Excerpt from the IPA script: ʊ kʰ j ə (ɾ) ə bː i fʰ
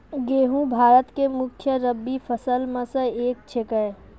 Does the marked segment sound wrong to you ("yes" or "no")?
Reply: no